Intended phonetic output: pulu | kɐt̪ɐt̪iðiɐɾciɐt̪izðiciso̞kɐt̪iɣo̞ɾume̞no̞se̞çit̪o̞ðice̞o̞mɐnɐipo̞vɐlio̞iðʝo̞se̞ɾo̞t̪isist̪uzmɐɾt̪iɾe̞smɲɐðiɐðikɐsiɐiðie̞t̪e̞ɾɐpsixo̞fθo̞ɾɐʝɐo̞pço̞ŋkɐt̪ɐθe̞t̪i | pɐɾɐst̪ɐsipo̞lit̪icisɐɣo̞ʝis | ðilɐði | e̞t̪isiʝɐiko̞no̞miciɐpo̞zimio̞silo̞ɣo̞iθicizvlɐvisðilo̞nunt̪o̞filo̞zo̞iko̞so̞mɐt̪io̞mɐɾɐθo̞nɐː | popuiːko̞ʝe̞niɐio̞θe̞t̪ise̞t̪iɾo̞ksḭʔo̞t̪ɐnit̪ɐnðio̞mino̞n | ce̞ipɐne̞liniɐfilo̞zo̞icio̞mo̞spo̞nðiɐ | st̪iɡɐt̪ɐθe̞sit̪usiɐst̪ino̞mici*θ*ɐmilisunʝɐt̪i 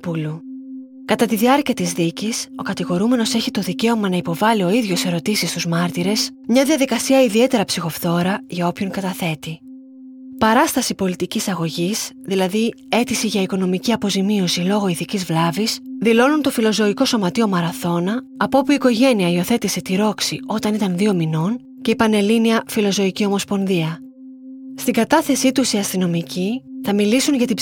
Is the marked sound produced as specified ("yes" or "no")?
yes